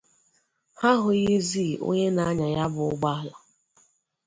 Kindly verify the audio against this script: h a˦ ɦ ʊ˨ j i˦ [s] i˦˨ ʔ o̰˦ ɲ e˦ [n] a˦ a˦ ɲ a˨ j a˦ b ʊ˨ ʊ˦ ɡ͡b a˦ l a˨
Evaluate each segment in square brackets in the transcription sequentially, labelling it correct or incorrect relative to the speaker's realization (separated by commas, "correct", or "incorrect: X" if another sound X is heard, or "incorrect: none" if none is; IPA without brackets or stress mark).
incorrect: z, correct